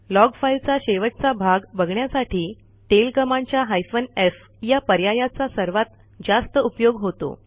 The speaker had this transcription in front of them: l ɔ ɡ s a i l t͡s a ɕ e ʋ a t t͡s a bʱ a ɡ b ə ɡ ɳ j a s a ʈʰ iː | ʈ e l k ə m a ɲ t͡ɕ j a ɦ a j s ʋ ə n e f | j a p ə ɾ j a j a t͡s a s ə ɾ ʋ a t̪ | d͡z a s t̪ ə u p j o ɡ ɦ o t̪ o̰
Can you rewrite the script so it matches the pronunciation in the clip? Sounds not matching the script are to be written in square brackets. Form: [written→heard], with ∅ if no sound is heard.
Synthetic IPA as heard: l ɔ ɡ [s→f] a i l t͡s a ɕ e ʋ [a→ə] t t͡s a bʱ a ɡ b ə ɡ ɳ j a s a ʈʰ iː | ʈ e l k ə m a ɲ t͡ɕ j a ɦ a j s ʋ ə n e f | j a p ə ɾ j a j a t͡s a s ə ɾ ʋ a t̪ | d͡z a s t̪ ə u p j o ɡ ɦ o t̪ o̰